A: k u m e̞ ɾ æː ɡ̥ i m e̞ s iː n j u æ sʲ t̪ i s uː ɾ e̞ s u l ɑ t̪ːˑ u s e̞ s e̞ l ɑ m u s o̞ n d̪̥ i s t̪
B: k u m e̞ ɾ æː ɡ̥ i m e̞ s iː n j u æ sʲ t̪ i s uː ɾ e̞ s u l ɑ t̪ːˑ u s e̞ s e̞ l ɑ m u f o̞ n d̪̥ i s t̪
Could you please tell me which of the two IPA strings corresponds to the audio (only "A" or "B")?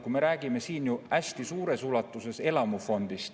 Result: B